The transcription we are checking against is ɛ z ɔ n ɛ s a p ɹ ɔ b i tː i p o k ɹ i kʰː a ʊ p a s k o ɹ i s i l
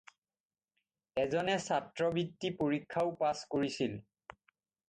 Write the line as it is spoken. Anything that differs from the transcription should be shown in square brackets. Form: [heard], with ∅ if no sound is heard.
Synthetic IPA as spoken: ɛ z ɔ n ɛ s a [t] ɹ ɔ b i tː i p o [∅] ɹ i kʰː a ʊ p a s k o ɹ i s i l